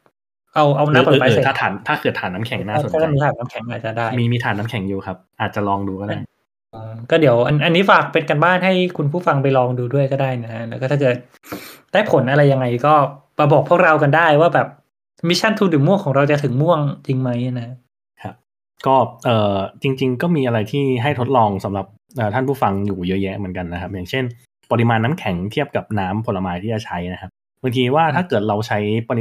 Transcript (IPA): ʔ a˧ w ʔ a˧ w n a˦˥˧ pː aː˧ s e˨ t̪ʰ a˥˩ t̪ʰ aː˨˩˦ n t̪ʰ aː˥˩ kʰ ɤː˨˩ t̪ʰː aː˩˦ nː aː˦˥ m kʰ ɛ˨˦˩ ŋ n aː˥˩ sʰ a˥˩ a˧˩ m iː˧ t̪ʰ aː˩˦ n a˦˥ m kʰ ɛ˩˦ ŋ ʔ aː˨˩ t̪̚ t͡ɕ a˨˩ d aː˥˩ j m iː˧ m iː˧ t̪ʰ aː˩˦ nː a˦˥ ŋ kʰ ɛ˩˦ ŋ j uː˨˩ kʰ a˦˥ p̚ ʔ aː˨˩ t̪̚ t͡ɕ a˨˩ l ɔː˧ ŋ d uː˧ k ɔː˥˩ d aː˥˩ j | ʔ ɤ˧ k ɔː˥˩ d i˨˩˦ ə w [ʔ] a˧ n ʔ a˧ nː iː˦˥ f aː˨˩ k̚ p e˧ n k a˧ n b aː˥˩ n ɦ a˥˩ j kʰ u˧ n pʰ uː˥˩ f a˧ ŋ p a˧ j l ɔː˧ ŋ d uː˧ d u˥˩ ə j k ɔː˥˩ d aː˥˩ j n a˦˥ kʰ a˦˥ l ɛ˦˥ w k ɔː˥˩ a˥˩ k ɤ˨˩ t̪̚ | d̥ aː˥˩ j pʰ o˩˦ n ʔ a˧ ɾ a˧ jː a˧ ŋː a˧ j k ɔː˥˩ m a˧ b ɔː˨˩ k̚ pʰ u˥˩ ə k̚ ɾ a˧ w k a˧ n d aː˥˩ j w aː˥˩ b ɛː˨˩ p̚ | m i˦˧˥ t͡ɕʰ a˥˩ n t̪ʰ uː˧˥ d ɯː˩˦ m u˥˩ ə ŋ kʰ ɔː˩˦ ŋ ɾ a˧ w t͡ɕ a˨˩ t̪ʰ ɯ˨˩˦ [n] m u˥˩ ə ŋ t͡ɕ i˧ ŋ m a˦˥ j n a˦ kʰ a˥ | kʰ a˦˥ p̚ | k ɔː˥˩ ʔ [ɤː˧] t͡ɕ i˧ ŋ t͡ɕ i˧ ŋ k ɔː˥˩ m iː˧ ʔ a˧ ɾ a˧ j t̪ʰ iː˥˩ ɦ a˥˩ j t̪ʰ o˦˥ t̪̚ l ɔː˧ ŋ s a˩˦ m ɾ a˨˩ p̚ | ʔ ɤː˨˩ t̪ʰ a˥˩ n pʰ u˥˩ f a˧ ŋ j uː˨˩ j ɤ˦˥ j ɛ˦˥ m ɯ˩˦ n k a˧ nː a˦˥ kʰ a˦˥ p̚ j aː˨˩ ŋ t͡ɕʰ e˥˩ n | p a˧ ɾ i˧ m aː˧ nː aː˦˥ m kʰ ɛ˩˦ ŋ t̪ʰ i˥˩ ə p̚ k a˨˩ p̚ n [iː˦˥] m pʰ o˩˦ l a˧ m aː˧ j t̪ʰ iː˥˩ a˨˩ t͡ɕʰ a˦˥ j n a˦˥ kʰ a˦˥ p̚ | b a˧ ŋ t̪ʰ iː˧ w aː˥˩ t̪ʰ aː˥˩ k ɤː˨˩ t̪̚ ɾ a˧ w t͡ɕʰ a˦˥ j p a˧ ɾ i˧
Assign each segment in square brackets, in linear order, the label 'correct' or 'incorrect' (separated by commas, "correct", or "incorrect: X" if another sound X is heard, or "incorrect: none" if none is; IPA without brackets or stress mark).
correct, incorrect: ŋ, incorrect: ɤː˨˩, incorrect: aː˦˥